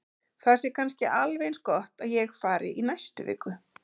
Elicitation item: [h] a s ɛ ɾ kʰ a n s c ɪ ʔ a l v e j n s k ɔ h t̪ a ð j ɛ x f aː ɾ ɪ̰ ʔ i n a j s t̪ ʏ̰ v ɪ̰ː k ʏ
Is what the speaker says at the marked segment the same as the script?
no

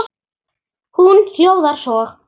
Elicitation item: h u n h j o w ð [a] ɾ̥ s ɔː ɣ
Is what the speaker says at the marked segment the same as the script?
yes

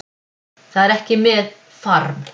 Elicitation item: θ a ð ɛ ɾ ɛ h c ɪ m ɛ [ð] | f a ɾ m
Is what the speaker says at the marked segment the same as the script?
yes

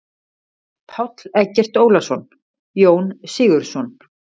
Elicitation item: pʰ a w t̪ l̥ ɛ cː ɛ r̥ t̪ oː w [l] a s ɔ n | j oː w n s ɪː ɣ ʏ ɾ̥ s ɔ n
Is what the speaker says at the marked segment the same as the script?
yes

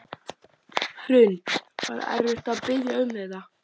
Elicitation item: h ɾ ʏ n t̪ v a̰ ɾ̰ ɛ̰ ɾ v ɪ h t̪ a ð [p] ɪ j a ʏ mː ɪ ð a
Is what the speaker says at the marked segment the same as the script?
yes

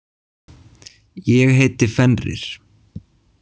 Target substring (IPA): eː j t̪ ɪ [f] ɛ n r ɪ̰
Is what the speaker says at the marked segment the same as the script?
yes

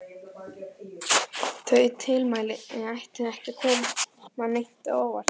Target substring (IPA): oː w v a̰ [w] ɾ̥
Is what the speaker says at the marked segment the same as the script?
no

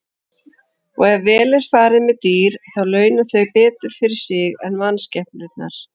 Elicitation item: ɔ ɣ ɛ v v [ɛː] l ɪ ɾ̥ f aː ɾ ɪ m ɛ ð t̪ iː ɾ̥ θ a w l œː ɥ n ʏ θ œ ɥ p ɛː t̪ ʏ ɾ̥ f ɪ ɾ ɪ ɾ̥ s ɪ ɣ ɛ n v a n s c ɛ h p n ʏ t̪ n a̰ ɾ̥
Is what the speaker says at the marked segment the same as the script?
yes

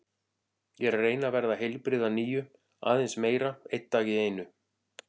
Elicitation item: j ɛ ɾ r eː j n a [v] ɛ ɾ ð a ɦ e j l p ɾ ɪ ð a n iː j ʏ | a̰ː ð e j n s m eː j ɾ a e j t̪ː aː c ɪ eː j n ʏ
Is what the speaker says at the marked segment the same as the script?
yes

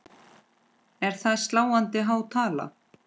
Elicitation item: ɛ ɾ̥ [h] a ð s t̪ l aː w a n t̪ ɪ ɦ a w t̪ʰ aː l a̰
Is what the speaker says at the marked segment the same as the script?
no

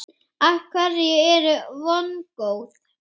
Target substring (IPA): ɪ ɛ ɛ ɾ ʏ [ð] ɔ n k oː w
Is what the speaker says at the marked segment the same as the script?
no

